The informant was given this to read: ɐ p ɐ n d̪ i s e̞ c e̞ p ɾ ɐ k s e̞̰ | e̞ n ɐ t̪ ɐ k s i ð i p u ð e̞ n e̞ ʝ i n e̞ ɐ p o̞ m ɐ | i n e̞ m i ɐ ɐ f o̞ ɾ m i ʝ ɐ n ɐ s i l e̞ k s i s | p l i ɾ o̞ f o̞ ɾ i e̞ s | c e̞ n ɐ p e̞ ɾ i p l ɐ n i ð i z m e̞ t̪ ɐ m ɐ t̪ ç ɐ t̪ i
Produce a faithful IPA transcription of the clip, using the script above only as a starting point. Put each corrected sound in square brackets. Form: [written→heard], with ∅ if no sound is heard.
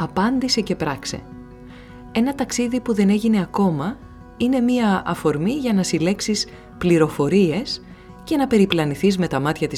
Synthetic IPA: ɐ p ɐ n d̪ i s e̞ c e̞ p ɾ ɐ k s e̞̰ | e̞ n ɐ t̪ ɐ k s i ð i p u ð e̞ n e̞ ʝ i n e̞ ɐ [p→k] o̞ m ɐ | i n e̞ m i ɐ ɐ f o̞ ɾ m i ʝ ɐ n ɐ s i l e̞ k s i s | p l i ɾ o̞ f o̞ ɾ i e̞ s | c e̞ n ɐ p e̞ ɾ i p l ɐ n i [ð→θ] i z m e̞ t̪ ɐ m ɐ t̪ ç ɐ t̪ i